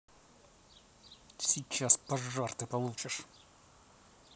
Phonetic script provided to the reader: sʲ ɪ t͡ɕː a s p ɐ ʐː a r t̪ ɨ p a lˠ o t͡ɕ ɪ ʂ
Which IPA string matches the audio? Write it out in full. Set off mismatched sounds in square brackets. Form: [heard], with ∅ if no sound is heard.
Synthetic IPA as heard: sʲ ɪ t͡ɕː a s p ɐ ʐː a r t̪ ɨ p [ɐ] lˠ [u] t͡ɕ ɪ ʂ